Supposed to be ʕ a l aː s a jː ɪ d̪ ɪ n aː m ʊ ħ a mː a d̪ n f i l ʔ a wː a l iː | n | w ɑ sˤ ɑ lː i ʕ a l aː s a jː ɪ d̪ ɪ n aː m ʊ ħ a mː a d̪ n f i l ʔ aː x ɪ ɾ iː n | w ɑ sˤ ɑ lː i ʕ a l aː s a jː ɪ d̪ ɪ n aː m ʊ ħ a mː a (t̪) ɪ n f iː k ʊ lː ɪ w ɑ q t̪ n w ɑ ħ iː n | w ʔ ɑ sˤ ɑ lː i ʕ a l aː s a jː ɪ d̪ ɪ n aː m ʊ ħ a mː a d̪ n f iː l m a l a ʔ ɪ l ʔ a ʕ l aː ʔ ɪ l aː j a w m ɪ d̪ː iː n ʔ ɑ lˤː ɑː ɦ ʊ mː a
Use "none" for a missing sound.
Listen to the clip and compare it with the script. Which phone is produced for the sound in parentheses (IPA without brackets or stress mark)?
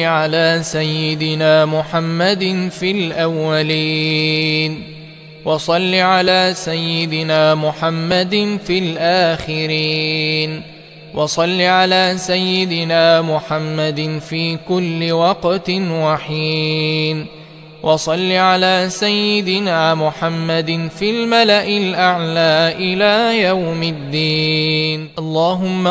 d̪